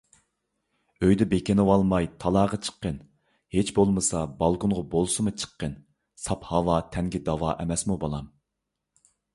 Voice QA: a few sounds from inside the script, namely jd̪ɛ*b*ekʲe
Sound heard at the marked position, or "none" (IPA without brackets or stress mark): b